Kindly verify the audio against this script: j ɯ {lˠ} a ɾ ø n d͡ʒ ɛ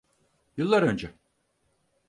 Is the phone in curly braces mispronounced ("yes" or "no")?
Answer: yes